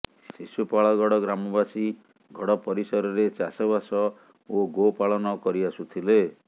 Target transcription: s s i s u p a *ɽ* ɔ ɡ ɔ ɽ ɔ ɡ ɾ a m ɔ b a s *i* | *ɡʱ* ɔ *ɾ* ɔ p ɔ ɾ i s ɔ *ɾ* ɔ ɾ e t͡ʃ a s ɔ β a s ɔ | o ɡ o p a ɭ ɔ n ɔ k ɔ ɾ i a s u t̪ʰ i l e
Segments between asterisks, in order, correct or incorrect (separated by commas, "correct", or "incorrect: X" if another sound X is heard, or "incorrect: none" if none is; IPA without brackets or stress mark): incorrect: ɭ, correct, correct, incorrect: ɽ, correct